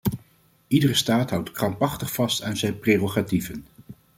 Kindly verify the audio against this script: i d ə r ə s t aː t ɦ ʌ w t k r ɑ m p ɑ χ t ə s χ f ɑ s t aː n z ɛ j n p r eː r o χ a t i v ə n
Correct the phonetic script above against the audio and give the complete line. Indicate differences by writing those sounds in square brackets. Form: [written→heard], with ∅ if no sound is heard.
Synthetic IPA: i d ə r ə s t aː t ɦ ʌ w t k r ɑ m p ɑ χ t ə [s→∅] χ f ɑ s t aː n z ɛ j n p r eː r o χ a t i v ə n